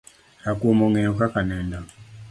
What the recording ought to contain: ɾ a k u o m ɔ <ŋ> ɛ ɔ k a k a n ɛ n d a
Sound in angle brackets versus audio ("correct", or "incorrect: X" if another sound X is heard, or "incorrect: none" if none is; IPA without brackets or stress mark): correct